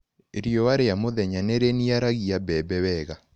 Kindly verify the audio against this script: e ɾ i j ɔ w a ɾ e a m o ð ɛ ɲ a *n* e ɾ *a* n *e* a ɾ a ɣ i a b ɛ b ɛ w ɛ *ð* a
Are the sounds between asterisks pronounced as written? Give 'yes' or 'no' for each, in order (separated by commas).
yes, no, no, no